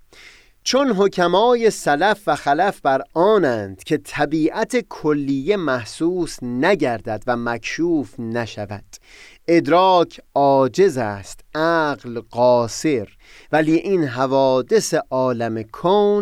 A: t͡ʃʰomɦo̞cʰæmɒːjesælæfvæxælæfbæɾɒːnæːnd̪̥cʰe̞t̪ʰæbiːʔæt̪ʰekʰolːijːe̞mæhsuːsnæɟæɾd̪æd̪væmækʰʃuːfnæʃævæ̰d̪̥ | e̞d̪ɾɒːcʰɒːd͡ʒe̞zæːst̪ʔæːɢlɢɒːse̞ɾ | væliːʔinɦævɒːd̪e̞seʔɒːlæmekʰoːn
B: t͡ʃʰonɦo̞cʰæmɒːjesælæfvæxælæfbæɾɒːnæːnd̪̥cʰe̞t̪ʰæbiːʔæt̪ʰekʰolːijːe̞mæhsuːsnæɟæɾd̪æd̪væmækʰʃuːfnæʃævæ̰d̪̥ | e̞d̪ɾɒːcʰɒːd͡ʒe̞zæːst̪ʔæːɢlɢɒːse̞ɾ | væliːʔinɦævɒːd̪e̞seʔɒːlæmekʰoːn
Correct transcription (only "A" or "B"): B